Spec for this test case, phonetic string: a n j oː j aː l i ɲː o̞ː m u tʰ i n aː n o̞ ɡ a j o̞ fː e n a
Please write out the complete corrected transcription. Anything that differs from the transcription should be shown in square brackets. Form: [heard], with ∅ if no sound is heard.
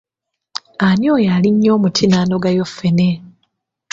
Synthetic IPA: a n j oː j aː l i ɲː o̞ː m u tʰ i n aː n o̞ ɡ a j o̞ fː e n [e]